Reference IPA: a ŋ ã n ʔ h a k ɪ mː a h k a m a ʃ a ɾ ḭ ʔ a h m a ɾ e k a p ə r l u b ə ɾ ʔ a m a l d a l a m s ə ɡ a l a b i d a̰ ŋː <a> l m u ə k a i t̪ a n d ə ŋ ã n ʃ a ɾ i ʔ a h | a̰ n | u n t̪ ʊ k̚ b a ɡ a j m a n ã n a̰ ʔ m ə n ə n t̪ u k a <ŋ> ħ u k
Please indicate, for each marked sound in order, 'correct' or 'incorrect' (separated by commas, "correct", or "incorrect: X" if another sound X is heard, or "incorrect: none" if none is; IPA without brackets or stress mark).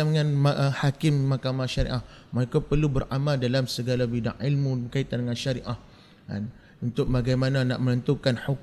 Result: incorrect: i, incorrect: n